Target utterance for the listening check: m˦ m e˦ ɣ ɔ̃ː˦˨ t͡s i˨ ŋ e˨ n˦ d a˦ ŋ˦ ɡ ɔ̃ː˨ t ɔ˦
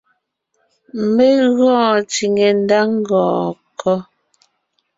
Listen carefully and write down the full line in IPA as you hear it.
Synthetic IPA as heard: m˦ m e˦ ɣ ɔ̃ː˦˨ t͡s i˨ ŋ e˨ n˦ d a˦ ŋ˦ ɡ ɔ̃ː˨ k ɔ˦